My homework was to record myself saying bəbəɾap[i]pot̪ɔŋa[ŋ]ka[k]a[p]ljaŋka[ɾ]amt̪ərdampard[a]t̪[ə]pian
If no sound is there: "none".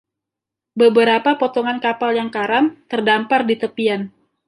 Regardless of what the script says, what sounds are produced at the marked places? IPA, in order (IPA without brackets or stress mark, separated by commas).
a, n, p, none, ɾ, i, ə